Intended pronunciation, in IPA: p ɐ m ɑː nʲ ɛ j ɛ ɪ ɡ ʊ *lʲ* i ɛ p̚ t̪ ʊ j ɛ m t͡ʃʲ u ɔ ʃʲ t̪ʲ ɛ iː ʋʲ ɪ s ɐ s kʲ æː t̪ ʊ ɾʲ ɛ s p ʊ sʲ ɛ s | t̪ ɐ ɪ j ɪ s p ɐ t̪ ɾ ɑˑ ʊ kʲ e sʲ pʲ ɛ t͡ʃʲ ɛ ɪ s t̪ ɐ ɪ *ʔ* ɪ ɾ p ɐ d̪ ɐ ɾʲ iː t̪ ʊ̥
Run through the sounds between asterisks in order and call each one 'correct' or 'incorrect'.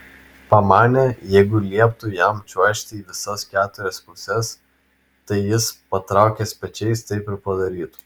correct, incorrect

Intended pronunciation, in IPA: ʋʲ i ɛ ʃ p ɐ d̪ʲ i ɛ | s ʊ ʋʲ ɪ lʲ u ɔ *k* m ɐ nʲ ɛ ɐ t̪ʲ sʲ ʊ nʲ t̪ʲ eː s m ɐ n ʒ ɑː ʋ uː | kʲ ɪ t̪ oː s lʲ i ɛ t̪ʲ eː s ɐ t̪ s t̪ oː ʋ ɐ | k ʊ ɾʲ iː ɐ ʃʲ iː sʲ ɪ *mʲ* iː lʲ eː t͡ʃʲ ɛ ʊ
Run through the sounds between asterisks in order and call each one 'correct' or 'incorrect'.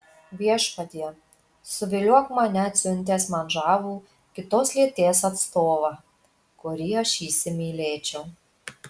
correct, correct

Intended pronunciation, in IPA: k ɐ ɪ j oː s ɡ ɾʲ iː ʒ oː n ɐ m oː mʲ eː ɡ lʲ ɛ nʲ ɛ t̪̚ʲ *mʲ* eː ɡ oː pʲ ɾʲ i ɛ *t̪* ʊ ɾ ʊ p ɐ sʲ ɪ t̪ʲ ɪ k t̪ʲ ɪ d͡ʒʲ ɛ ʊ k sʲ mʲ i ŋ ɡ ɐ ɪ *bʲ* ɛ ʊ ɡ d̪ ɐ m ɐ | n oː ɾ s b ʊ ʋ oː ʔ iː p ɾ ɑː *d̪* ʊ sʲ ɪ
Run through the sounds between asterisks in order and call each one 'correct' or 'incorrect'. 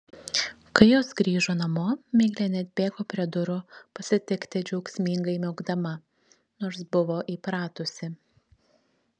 incorrect, incorrect, incorrect, incorrect

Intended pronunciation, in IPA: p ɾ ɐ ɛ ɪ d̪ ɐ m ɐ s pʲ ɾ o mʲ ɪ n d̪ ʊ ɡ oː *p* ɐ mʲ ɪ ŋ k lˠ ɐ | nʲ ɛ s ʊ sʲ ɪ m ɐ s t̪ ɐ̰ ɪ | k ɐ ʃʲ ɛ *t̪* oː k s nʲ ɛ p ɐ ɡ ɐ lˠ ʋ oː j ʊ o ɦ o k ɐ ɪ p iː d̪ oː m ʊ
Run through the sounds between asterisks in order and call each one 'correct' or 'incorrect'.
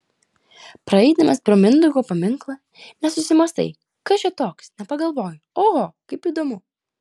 correct, correct

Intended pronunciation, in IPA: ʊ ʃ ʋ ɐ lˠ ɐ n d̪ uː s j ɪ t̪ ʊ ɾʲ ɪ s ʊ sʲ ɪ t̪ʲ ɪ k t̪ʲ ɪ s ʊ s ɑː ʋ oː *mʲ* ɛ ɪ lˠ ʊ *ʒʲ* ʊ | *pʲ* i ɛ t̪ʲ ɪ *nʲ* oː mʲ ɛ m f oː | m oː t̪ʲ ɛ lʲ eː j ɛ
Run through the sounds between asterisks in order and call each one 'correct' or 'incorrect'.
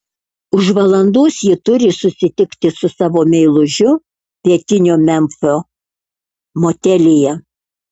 correct, correct, correct, correct

